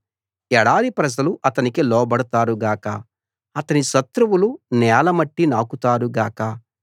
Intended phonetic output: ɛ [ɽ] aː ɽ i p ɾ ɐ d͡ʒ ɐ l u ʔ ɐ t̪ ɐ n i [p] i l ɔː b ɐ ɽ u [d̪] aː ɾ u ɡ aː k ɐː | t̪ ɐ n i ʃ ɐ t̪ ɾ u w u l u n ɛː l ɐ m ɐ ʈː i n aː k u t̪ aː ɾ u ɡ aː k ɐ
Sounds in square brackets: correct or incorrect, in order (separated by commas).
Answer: correct, incorrect, incorrect